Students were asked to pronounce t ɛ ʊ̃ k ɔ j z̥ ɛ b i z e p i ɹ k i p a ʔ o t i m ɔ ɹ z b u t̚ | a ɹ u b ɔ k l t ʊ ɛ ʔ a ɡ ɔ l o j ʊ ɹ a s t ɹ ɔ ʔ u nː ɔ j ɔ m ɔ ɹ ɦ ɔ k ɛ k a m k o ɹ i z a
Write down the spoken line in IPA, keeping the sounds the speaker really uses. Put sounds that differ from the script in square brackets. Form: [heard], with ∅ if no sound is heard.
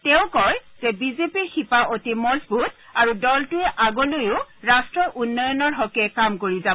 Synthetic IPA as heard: t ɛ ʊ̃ k ɔ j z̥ ɛ b i z e p i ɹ [x] i p a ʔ o t i m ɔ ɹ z b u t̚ | a ɹ u [d] ɔ [∅] l t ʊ ɛ ʔ a ɡ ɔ l o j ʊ ɹ a s t ɹ ɔ ʔ u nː ɔ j ɔ [n] ɔ ɹ ɦ ɔ k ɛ k a m k o ɹ i z a